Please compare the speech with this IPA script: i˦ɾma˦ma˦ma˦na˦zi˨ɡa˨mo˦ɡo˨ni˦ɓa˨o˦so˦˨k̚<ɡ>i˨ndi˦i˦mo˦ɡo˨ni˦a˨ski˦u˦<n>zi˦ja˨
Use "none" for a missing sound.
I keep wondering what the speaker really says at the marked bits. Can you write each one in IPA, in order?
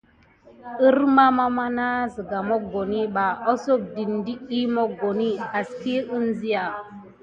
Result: d, n

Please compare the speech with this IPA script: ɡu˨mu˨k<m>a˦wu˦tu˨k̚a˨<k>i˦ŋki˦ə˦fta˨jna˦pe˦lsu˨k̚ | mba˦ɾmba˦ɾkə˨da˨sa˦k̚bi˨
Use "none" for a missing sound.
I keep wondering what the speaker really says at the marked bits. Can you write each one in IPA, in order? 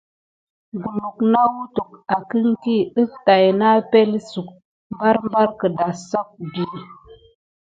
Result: n, k

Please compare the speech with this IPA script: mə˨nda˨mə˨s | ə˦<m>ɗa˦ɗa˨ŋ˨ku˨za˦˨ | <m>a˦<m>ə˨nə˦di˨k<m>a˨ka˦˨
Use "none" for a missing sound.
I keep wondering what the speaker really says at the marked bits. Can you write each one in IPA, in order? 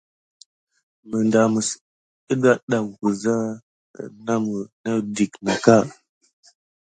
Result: none, n, m, n

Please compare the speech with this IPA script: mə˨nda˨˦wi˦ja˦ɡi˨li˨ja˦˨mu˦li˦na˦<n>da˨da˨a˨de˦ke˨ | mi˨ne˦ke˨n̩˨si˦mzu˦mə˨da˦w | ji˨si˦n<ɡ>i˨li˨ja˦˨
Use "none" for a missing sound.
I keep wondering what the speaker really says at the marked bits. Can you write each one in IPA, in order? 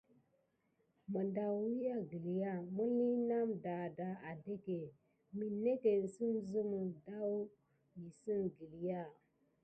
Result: m, ɡ

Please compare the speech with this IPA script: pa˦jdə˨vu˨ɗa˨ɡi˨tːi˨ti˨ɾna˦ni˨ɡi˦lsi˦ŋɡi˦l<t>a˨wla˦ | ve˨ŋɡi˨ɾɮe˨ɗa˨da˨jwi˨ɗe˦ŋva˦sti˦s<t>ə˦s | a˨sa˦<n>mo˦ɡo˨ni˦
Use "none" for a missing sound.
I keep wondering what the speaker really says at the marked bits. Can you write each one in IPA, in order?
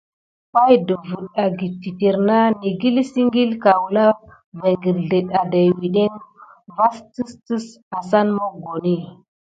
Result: k, t, n

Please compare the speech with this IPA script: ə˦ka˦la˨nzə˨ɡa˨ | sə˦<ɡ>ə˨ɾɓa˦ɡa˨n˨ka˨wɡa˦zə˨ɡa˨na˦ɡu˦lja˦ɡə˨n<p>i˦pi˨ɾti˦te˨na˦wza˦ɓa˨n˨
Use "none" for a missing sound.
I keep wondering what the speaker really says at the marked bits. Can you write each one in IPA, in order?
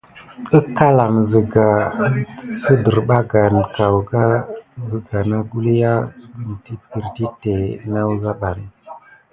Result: d, t

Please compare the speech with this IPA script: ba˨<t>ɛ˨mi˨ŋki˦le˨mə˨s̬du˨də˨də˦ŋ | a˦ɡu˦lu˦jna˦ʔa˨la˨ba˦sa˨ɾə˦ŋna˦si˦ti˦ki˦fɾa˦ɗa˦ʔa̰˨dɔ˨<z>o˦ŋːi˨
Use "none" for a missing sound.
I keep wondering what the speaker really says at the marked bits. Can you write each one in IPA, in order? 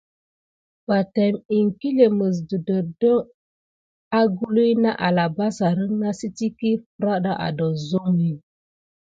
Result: t, z

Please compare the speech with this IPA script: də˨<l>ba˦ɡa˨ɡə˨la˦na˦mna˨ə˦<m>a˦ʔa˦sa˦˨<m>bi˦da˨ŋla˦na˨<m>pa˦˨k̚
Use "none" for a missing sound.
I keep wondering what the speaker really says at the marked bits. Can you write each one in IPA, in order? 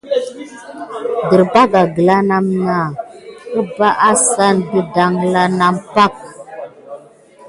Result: ɾ, b, n, m

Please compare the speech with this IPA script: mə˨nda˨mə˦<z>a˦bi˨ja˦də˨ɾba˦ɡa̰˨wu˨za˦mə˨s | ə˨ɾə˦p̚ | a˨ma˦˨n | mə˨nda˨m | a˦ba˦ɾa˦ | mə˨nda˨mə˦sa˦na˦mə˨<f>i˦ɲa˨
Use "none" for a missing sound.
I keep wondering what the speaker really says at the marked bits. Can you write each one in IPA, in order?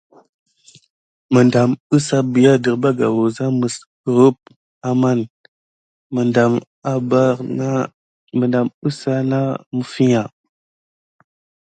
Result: s, f

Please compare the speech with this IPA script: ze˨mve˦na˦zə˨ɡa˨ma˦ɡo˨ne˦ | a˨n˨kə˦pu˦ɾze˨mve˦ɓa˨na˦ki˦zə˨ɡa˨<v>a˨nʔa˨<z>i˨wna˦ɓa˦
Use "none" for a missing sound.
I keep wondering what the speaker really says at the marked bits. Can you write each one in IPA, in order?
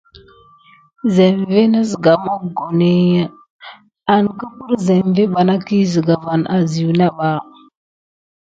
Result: v, z

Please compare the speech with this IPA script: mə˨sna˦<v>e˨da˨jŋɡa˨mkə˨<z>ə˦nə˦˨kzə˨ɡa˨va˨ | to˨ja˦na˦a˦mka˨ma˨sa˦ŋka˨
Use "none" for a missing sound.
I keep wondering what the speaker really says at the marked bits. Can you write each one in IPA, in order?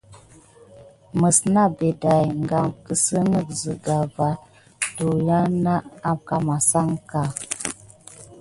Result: b, s

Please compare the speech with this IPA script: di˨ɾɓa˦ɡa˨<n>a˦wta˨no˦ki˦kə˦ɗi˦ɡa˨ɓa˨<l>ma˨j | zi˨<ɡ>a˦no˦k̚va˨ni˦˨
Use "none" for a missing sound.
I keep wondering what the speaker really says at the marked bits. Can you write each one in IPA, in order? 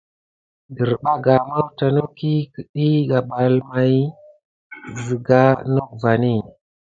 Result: m, l, ɡ

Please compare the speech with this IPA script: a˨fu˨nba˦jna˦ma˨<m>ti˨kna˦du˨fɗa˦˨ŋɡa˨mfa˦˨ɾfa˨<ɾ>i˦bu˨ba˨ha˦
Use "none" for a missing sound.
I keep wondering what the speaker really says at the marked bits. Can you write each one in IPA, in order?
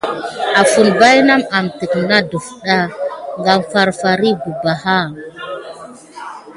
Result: m, ɾ

